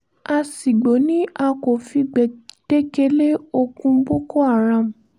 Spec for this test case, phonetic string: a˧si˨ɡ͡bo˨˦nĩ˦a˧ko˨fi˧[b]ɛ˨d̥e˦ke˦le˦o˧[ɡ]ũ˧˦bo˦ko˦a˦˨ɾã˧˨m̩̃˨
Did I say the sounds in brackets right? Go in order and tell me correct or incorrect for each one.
incorrect: ɡ͡b, incorrect: k

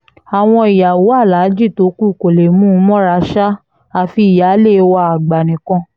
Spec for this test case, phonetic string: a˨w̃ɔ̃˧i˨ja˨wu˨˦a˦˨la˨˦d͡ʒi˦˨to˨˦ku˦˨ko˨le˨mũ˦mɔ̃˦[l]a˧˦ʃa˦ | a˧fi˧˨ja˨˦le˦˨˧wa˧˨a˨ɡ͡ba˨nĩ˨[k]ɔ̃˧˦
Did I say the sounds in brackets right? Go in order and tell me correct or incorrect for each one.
incorrect: ɾ, correct

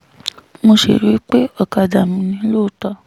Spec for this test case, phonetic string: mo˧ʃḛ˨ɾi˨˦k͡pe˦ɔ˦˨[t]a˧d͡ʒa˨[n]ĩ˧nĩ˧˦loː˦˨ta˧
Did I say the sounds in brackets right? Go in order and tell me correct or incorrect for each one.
incorrect: k, incorrect: m

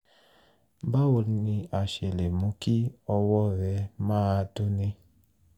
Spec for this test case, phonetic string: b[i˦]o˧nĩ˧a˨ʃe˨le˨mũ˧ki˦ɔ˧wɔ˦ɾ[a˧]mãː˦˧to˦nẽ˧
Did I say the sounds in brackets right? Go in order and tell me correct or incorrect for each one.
incorrect: a˦, incorrect: ɛ˧

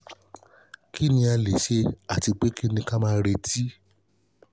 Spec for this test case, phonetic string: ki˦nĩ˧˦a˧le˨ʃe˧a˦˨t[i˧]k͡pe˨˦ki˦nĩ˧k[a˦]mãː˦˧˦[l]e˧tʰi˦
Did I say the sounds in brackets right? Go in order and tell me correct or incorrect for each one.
correct, correct, incorrect: ɾ

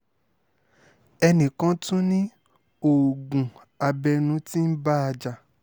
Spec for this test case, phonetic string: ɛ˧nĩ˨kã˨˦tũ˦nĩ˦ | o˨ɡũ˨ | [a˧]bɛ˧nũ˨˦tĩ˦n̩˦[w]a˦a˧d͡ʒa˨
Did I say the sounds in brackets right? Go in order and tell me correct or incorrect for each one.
correct, incorrect: b

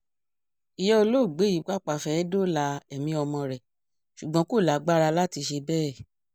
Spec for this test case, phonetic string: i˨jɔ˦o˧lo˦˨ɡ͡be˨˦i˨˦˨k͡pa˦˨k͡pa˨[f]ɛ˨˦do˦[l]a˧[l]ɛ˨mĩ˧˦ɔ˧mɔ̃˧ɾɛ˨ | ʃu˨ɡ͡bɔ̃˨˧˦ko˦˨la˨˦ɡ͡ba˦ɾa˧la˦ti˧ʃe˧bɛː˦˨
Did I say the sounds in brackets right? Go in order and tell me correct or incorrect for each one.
correct, correct, incorrect: none

